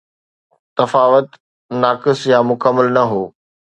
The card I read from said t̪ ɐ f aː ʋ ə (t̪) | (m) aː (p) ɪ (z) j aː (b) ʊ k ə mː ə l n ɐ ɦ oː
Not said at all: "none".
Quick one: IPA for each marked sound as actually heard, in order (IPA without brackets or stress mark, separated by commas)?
t̪, n, k, s, m